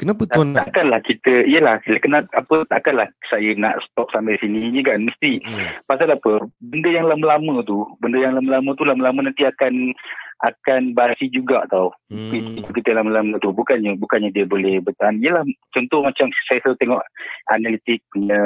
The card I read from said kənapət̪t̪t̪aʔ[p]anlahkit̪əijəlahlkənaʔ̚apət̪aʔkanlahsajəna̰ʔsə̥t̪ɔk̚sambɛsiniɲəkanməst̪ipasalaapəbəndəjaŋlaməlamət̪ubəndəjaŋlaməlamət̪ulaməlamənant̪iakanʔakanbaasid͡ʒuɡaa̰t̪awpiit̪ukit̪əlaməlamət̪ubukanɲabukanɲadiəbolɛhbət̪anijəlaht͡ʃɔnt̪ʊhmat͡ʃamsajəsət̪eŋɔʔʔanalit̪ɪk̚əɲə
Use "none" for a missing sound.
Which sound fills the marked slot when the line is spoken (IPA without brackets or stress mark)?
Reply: k